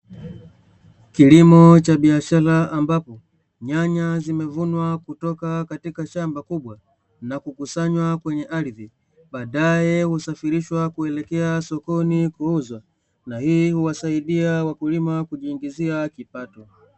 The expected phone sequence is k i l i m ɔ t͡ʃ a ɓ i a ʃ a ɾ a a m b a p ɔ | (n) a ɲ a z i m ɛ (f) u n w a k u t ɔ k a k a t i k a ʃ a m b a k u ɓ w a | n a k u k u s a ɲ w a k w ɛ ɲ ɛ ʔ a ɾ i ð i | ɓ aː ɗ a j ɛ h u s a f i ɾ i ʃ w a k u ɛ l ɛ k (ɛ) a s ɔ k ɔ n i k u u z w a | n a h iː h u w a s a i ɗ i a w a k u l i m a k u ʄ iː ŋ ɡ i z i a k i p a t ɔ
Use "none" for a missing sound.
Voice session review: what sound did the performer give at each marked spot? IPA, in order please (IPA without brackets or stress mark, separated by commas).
ɲ, v, ɛ